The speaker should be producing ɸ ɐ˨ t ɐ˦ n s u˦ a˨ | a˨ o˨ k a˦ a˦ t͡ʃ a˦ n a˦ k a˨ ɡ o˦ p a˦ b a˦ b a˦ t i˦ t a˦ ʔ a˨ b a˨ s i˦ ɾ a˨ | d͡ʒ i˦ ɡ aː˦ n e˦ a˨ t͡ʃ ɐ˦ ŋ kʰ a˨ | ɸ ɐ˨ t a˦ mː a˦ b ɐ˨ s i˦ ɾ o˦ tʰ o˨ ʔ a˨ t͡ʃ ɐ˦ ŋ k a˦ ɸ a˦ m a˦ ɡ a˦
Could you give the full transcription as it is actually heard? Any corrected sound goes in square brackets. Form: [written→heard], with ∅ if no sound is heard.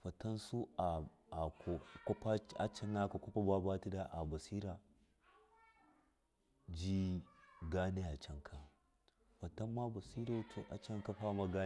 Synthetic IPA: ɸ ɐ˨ t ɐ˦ n s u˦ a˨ | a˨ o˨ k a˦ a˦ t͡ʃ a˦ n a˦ k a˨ [ɡ→k] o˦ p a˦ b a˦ b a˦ t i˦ [t→d] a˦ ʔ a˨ b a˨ s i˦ ɾ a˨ | d͡ʒ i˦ ɡ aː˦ n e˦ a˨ t͡ʃ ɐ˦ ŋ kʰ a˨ | ɸ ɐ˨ t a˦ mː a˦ b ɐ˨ s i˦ ɾ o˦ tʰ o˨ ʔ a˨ t͡ʃ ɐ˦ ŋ k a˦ ɸ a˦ m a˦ ɡ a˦